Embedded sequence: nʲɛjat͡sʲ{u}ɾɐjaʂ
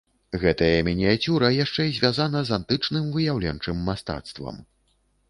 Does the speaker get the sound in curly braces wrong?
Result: no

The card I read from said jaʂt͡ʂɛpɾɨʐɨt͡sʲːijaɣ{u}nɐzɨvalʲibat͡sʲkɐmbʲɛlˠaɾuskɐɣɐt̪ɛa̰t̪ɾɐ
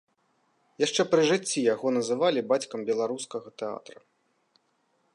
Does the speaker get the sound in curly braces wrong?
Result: yes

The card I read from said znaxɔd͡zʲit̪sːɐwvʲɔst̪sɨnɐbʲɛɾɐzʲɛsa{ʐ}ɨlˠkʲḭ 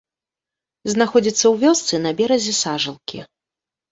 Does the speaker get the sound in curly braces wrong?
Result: no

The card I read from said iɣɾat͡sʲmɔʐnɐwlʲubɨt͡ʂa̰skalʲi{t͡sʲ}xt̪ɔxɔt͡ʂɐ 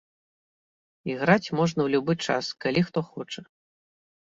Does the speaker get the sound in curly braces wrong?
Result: yes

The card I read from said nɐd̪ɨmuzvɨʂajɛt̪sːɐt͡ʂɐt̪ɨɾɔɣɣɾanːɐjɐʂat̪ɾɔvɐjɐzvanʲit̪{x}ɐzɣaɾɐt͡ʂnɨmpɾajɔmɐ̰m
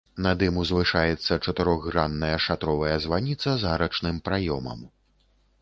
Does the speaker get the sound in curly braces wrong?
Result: yes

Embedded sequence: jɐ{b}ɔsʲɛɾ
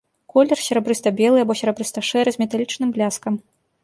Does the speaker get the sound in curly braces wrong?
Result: no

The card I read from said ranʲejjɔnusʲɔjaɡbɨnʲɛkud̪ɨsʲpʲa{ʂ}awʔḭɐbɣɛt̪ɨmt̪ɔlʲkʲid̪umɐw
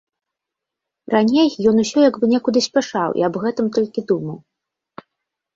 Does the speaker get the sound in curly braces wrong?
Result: no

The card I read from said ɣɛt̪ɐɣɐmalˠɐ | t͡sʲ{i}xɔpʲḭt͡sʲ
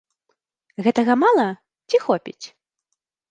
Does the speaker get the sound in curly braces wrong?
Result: no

